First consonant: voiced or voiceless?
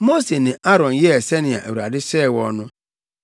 voiced